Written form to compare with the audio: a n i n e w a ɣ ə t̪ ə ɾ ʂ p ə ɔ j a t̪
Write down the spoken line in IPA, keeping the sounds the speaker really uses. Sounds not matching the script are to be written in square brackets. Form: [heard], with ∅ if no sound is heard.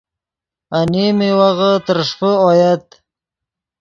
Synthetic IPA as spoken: a n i [m] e w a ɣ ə t̪ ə ɾ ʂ p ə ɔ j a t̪